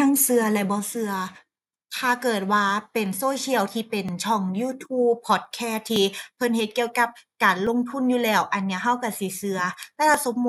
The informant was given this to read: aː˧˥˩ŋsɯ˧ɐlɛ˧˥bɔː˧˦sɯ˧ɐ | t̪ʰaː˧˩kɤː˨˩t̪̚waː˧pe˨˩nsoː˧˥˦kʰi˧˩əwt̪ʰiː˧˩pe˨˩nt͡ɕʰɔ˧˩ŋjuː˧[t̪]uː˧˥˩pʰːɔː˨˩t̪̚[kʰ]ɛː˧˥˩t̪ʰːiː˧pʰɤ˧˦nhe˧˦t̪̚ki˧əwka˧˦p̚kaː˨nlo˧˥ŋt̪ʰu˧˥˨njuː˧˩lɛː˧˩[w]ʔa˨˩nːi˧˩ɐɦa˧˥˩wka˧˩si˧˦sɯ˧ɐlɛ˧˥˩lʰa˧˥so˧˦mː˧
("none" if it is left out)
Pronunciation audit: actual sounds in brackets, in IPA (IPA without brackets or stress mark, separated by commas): t̪ʰ, kʰ, w